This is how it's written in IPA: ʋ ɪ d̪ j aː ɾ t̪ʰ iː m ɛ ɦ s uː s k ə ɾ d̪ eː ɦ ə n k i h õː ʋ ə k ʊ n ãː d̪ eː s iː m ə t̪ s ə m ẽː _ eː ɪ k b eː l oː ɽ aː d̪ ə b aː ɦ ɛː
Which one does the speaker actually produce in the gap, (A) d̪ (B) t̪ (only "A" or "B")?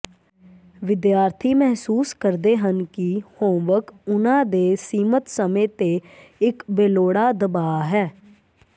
B